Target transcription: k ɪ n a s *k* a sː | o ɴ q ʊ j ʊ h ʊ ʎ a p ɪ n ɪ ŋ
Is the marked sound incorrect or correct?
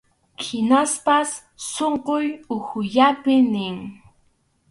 incorrect